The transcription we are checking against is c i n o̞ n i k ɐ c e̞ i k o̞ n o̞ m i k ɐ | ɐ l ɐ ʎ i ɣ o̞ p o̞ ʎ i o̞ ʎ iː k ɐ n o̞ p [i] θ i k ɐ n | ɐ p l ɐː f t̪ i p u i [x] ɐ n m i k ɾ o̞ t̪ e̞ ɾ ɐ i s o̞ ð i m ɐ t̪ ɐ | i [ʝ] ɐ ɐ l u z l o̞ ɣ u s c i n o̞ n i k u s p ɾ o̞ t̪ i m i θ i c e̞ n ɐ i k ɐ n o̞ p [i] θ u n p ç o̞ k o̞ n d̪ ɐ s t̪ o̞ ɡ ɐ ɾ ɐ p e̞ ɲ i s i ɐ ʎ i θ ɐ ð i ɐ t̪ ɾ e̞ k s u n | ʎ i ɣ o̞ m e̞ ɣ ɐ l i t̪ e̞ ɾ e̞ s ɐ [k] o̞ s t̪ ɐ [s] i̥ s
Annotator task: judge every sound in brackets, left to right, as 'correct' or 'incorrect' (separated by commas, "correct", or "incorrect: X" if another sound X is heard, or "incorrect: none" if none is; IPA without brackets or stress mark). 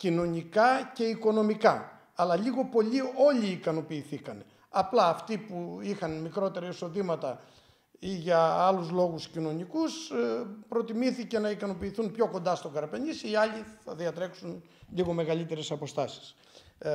incorrect: iː, correct, correct, incorrect: iː, incorrect: p, correct